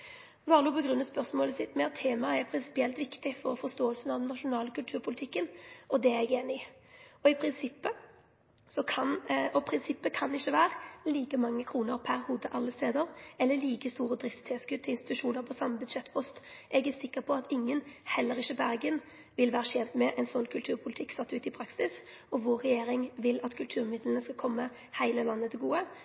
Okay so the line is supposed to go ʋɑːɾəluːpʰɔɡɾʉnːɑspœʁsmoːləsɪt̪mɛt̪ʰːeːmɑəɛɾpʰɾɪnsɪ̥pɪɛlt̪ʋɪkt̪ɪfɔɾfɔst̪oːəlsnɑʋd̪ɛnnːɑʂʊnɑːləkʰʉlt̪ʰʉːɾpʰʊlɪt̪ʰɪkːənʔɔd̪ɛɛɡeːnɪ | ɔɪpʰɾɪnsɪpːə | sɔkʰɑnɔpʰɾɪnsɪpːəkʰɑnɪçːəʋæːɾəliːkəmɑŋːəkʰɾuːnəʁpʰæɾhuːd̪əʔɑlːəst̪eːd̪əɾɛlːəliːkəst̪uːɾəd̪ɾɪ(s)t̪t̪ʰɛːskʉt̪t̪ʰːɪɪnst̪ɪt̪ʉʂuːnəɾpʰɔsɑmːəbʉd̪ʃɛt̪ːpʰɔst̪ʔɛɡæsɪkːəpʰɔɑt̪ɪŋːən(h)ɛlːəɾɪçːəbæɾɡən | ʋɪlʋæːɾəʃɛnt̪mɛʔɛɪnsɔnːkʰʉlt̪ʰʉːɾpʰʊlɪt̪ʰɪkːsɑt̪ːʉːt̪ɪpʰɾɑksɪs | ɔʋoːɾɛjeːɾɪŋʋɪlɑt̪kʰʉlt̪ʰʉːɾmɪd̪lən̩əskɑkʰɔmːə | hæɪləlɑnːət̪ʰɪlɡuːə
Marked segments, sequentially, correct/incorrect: incorrect, correct

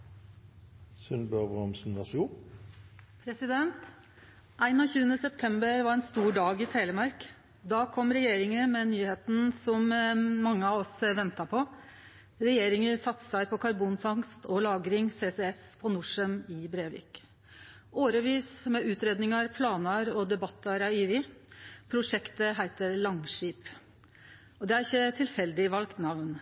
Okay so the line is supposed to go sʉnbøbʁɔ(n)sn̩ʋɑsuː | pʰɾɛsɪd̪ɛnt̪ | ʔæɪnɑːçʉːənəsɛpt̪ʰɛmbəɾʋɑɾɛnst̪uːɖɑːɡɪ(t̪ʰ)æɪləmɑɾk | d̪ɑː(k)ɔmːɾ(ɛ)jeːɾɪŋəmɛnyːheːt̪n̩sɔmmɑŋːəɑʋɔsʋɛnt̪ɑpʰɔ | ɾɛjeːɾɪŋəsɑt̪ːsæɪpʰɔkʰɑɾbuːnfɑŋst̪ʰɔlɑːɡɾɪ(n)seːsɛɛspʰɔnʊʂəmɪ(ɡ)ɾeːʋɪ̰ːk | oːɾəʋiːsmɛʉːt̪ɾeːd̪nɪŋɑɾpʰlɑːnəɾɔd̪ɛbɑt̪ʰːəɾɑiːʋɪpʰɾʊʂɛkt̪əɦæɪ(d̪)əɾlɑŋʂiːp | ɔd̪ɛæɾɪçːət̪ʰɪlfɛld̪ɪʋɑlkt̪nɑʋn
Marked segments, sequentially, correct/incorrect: incorrect, correct, incorrect, correct, incorrect, incorrect, incorrect

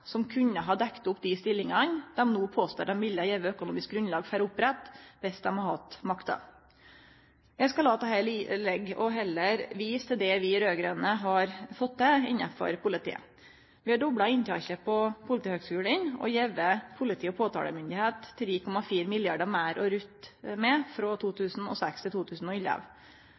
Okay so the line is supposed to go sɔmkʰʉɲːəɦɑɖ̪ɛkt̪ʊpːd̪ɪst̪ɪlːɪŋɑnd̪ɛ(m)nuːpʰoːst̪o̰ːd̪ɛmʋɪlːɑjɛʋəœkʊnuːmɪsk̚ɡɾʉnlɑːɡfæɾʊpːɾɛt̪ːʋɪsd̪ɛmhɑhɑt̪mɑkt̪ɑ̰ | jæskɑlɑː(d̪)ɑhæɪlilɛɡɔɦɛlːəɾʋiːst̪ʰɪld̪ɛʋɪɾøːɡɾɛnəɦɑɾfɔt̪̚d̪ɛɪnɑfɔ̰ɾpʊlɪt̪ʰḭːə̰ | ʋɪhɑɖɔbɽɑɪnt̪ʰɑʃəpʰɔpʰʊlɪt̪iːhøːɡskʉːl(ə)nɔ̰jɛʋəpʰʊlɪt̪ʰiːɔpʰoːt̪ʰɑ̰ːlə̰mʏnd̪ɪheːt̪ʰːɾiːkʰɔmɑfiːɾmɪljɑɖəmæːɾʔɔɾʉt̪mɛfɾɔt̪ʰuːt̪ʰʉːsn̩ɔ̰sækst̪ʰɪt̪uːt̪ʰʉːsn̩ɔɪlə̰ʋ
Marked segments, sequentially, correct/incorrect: correct, incorrect, correct

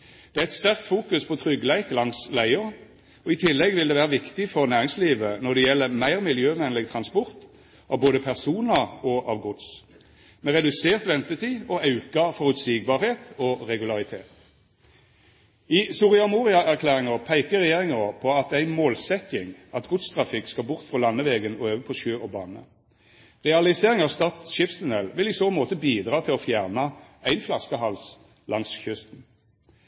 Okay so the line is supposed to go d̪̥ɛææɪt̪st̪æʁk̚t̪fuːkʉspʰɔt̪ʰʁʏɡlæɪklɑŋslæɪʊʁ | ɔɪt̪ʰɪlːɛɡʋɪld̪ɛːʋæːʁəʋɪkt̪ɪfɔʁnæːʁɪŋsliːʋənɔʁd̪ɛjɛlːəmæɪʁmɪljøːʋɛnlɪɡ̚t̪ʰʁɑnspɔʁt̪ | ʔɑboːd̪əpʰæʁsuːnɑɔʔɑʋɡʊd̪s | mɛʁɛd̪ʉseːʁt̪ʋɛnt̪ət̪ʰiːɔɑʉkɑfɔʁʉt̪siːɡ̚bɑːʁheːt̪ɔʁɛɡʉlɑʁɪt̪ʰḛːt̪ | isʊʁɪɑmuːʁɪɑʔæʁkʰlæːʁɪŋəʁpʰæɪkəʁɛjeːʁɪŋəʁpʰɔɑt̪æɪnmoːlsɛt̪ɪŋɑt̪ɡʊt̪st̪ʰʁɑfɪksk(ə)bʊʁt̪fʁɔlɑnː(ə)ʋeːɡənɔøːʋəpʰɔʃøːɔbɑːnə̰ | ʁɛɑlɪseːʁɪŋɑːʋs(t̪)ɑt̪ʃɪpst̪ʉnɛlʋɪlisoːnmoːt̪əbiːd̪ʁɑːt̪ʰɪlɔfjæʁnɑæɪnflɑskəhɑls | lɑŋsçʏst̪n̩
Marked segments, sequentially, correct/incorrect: incorrect, correct, correct

